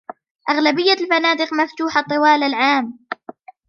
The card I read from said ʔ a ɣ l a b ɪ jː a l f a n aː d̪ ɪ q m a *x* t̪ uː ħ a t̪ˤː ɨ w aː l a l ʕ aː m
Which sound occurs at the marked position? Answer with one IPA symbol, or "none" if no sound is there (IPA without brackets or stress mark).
f